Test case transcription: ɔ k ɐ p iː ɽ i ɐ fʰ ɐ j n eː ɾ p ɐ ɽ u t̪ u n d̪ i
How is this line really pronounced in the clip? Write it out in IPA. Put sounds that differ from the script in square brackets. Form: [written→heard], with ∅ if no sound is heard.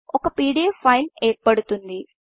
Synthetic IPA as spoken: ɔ k ɐ p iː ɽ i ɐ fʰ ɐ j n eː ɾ p ɐ ɽ u t̪ u n d̪ i